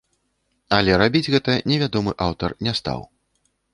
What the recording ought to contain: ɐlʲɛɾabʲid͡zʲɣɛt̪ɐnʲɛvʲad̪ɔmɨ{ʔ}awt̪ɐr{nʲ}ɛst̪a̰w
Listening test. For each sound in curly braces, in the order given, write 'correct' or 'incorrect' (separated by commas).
correct, correct